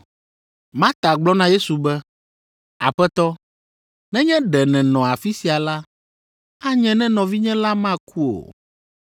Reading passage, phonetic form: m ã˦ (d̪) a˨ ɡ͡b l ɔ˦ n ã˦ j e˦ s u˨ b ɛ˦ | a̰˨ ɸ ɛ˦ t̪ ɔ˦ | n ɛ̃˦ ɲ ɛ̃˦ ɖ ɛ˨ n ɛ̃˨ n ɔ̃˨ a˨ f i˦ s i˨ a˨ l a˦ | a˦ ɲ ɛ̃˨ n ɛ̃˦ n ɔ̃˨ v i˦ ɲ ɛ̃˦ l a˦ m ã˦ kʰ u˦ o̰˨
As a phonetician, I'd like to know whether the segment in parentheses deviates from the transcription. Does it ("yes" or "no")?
yes